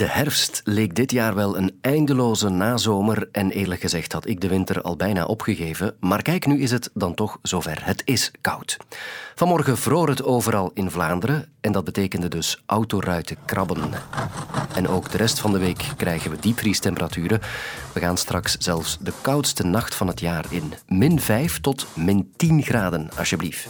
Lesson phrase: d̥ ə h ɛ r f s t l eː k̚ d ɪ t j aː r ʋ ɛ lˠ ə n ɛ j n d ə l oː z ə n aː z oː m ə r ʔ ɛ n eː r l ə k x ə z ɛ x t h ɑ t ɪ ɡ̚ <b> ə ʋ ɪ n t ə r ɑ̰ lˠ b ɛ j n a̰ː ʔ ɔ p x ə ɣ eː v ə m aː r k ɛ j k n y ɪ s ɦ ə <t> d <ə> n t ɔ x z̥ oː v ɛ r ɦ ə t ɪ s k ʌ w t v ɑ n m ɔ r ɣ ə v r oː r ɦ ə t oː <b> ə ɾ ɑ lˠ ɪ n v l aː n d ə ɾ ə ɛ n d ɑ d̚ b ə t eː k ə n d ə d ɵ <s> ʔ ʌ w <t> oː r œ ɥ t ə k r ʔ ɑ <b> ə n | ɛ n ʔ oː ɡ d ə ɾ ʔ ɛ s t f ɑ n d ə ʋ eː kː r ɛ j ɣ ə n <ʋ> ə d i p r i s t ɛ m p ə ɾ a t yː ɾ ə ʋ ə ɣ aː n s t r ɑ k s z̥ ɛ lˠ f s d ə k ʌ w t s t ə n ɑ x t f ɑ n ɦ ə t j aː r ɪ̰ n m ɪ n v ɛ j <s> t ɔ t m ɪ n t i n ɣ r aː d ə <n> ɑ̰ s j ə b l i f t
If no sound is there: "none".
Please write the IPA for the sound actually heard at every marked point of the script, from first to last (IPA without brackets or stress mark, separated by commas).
d, t, ɑ, v, s, t, b, ʋ, f, n